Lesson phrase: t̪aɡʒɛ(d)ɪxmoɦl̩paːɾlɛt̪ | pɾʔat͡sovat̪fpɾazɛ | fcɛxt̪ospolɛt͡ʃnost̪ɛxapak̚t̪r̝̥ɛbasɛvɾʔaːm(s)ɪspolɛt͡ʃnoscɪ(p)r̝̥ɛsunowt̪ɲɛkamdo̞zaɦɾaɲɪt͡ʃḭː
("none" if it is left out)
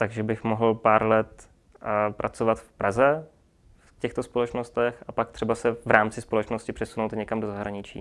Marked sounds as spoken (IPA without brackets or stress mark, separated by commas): b, t͡s, p